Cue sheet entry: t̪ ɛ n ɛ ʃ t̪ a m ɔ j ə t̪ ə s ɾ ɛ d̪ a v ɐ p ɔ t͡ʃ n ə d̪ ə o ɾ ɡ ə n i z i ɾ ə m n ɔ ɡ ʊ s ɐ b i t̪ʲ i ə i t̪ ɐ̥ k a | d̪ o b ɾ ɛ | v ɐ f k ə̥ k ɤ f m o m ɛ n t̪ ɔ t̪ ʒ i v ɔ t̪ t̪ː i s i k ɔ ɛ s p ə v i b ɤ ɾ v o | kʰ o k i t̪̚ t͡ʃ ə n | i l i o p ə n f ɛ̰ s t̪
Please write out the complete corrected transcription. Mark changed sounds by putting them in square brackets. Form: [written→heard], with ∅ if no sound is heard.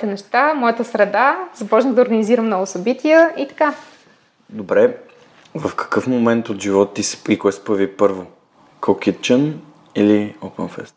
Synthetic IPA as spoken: t̪ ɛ n ɛ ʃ t̪ a m ɔ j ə t̪ ə s ɾ ɛ d̪ a [v→z] ɐ p ɔ t͡ʃ n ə d̪ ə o ɾ ɡ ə n i z i ɾ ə m n ɔ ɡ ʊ s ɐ b i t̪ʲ i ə i t̪ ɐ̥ k a | d̪ o b ɾ ɛ | v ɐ f k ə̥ k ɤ f m o m ɛ n t̪ [ɔ→o] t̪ ʒ i v ɔ t̪ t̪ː i s i k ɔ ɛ s p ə v i [b→p] ɤ ɾ v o | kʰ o k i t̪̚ t͡ʃ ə n | i l i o p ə n f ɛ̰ s t̪